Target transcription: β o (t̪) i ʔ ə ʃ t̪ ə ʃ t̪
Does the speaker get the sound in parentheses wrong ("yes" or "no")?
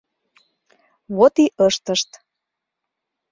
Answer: no